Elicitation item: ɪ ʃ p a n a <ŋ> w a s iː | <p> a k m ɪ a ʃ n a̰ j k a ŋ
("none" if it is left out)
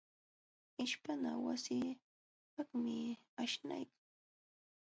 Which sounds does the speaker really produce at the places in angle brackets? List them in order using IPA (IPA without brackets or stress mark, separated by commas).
none, p